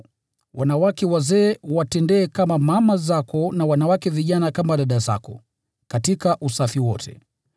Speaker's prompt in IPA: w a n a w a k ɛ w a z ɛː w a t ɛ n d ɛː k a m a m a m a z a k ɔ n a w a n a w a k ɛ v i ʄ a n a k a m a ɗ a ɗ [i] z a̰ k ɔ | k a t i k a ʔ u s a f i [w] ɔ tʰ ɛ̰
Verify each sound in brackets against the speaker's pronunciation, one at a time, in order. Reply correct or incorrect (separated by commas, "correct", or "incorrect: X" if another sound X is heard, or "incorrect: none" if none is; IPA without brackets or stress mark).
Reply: incorrect: a, correct